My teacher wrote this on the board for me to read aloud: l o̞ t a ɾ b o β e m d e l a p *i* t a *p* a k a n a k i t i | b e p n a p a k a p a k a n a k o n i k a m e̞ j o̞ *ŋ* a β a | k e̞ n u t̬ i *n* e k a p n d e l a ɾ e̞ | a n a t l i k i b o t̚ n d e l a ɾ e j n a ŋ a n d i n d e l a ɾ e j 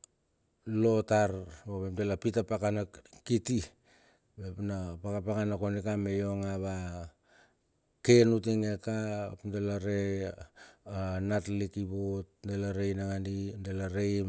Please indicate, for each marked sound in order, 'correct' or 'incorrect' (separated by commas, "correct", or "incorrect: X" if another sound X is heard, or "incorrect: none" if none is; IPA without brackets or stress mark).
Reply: correct, correct, correct, incorrect: ŋ